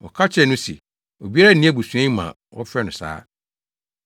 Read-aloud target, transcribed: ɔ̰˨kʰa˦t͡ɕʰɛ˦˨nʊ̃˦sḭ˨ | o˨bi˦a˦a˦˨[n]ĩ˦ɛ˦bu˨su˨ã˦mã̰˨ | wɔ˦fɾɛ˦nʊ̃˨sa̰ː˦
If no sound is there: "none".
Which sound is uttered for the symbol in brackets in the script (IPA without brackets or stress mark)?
n